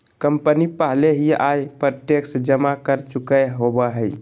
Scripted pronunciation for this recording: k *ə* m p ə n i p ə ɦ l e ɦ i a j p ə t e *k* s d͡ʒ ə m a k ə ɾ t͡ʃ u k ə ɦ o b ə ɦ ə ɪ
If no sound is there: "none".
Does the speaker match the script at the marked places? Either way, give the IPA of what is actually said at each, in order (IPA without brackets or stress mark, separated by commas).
ə, k